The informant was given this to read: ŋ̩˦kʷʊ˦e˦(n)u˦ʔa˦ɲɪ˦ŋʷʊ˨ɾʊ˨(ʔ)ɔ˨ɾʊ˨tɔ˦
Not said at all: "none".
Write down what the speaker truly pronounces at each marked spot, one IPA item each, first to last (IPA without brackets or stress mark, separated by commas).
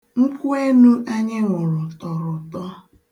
n, t